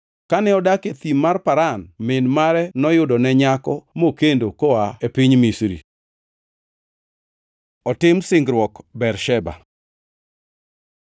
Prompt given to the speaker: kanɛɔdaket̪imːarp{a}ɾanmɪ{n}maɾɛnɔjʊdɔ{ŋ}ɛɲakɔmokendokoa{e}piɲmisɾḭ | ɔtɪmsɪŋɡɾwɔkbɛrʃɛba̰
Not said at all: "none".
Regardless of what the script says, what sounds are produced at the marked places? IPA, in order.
a, n, n, e

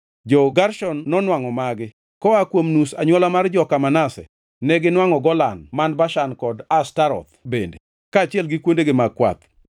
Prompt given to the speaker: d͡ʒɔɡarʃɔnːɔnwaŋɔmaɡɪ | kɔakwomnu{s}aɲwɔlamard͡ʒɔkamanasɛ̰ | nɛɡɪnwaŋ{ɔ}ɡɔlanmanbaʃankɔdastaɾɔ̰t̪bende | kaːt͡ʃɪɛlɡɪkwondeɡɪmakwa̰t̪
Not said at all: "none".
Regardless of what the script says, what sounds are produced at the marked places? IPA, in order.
s, ɔ

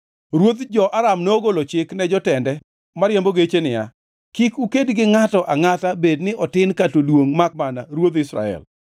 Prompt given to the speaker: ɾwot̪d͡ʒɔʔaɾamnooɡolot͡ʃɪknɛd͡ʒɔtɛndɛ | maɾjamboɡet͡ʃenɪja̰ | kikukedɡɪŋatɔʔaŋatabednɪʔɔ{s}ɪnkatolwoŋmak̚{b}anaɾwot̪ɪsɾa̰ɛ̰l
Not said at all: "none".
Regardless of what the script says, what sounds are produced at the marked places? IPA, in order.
t, m

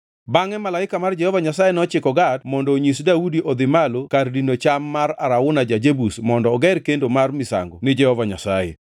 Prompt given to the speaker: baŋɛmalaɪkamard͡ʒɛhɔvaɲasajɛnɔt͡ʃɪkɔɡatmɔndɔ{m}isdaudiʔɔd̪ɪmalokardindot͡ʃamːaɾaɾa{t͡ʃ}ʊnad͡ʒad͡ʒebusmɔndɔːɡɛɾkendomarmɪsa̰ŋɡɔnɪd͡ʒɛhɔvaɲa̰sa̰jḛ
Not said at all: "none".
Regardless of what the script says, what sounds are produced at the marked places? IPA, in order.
ɲ, none

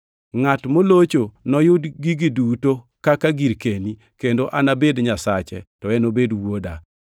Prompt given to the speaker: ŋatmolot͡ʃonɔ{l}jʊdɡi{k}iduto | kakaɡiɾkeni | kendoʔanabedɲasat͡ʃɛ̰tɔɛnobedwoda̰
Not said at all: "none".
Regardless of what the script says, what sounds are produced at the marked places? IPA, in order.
none, ɡ

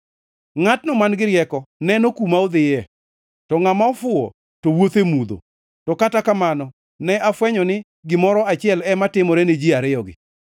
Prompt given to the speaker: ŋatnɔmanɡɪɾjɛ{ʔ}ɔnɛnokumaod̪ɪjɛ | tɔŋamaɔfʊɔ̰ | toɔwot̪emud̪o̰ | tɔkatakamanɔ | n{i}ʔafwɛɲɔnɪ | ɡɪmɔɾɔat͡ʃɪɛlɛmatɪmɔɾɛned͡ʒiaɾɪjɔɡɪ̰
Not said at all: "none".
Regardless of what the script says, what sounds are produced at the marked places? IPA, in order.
k, ɛ

